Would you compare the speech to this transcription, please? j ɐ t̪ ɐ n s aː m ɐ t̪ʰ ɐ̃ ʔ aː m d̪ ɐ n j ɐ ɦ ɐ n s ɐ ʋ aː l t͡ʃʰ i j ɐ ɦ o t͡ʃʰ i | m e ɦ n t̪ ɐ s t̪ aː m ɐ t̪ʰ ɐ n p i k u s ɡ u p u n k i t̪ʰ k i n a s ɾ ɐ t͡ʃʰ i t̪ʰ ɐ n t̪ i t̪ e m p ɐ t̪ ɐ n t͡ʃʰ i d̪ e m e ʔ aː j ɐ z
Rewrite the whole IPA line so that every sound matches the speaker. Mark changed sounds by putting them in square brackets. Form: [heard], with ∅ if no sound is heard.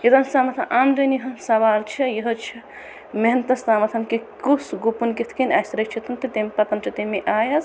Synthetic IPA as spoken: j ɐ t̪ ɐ n s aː m ɐ t̪ʰ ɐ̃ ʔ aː m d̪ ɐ n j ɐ ɦ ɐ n s ɐ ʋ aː l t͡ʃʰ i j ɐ ɦ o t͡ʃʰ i | m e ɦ n t̪ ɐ s t̪ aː m ɐ t̪ʰ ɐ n [k] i k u s ɡ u p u n k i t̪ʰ k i n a s ɾ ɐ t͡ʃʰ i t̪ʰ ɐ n t̪ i t̪ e m p ɐ t̪ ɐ n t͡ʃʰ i [t̪] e m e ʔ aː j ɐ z